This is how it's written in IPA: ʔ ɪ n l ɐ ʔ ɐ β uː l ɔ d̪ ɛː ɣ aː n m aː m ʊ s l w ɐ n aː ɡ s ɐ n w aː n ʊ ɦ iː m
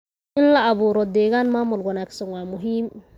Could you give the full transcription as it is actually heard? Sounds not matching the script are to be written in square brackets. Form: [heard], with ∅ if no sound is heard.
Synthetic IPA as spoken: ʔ ɪ n l ɐ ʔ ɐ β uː [ɾ] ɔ d̪ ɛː ɣ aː n m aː m ʊ [∅] l w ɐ n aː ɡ s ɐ n w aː [m] ʊ ɦ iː m